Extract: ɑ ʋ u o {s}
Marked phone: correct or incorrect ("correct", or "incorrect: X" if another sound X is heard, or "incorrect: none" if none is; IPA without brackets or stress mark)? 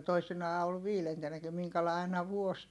correct